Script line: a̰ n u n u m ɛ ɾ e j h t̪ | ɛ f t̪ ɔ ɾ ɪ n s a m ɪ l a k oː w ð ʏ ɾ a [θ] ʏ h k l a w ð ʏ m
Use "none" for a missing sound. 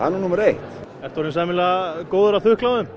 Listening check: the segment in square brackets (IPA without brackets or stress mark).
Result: θ